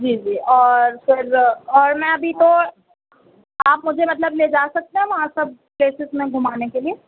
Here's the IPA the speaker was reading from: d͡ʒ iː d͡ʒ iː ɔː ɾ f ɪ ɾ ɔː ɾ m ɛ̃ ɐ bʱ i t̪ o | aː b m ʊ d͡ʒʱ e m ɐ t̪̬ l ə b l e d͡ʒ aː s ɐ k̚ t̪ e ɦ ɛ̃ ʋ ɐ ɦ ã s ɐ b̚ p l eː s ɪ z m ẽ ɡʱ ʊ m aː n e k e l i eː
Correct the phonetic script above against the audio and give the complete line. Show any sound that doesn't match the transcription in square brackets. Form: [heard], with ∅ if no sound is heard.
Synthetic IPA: d͡ʒ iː d͡ʒ iː ɔː ɾ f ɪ ɾ ɔː ɾ m ɛ̃ ɐ bʱ i t̪ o | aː [p] m ʊ d͡ʒʱ e m ɐ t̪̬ l ə b l e d͡ʒ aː s ɐ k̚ t̪ e ɦ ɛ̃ ʋ ɐ ɦ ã s ɐ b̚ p l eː s ɪ z m ẽ ɡʱ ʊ m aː n e k e l i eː